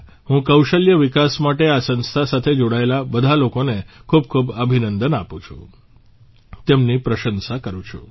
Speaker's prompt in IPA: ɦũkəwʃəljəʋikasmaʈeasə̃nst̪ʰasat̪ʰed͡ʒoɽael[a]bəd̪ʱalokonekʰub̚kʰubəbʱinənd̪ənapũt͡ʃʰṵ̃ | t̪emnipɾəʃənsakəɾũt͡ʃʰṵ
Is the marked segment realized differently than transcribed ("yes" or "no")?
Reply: no